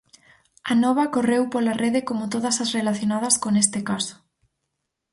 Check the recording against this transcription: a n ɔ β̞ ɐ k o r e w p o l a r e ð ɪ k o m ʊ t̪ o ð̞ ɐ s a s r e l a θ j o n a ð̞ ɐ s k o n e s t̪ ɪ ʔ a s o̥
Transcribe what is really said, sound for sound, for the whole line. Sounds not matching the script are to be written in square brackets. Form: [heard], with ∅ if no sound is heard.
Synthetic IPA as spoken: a n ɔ β̞ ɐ k o r e w p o l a r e ð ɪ k o m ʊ t̪ o ð̞ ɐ s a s r e l a θ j o n a ð̞ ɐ s k o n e s t̪ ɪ [k] a s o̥